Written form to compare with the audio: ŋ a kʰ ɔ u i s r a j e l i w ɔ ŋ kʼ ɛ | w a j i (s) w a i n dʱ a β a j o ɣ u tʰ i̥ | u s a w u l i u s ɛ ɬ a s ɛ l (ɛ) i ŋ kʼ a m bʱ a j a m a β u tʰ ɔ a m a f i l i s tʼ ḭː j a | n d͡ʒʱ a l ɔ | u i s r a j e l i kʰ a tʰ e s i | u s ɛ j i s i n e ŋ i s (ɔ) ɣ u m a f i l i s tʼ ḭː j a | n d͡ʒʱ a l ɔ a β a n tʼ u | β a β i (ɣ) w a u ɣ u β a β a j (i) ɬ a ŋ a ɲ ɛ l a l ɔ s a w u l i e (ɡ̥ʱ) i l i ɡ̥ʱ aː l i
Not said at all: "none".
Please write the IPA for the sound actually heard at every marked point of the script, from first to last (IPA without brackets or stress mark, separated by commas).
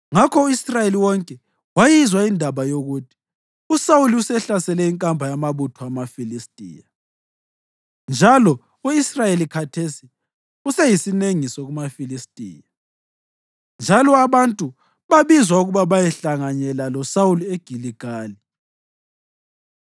z, ɛ, ɔ, z, ɛ, ɡ̥ʱ